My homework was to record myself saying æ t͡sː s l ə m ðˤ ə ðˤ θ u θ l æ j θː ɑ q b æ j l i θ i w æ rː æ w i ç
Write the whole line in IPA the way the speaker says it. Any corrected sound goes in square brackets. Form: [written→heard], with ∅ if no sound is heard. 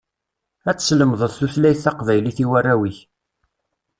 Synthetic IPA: æ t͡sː s l ə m ðˤ ə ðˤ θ u θ l æ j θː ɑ q [b→v] æ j l i θ i w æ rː æ w i ç